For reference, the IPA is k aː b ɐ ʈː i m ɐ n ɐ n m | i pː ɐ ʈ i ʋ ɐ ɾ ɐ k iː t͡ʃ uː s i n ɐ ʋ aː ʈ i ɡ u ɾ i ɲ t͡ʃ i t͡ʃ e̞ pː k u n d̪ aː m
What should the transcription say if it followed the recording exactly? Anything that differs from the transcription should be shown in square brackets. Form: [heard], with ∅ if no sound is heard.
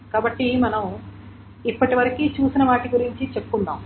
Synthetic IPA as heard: k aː b ɐ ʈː i m ɐ n ɐ [∅] m | i pː ɐ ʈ i ʋ ɐ ɾ ɐ k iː t͡ʃ uː s i n ɐ ʋ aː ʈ i ɡ u ɾ i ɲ t͡ʃ i t͡ʃ e̞ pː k u n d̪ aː m